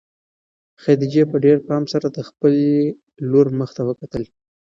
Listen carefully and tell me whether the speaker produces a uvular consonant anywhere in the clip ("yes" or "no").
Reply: no